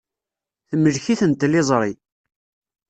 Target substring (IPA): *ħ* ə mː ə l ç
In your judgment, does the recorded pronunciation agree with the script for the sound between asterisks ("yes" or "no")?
no